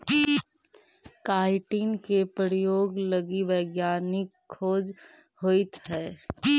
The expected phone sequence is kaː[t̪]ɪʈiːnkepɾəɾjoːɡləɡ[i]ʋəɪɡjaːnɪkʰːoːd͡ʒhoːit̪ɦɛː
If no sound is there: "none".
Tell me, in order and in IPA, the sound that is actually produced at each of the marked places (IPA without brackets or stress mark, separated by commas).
none, i